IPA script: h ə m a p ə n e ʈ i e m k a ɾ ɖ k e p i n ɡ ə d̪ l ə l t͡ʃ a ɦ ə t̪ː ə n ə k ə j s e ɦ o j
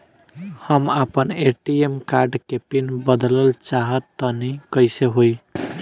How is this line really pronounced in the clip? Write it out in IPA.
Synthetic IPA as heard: h ə m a p ə n e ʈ i e m k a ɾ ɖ k e p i n b ə d̪ l ə l t͡ʃ a ɦ ə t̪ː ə n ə k ə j s e ɦ o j